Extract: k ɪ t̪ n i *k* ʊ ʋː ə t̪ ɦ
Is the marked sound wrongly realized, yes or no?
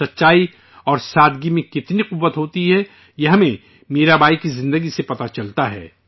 yes